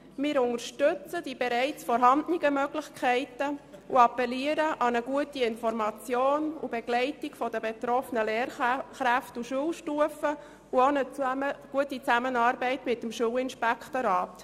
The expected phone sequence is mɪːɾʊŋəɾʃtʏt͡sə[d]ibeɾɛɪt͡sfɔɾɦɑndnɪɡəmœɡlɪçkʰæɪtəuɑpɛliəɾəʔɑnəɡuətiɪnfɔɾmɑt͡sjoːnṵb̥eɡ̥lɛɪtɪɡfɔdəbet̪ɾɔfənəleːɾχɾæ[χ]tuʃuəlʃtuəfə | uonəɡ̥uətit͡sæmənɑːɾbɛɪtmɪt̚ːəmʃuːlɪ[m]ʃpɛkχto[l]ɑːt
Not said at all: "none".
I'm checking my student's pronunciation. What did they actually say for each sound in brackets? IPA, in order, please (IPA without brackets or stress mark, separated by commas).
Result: d, f, n, ɾ